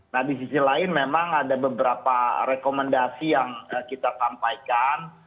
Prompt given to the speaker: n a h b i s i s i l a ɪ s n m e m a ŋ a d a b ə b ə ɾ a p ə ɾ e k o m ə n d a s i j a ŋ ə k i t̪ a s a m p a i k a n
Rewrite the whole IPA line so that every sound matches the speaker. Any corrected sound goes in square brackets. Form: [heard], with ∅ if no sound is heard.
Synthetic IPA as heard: n a h [d] i s i s i l a ɪ [∅] n m e m a ŋ a d a b ə b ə ɾ a p [a] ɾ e k o m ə n d a s i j a ŋ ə k i t̪ a s a m p a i k a n